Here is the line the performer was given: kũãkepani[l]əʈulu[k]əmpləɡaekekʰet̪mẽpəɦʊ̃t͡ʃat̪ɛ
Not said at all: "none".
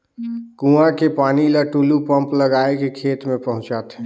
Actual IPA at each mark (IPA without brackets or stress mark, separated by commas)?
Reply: l, p